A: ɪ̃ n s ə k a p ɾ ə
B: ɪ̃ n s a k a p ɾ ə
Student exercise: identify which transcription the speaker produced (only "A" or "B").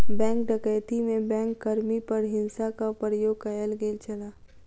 B